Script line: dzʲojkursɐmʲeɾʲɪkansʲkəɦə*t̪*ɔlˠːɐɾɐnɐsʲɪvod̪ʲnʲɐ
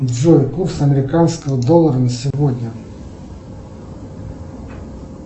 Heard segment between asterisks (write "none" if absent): d̪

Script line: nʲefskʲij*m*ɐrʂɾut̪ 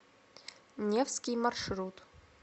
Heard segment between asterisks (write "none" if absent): m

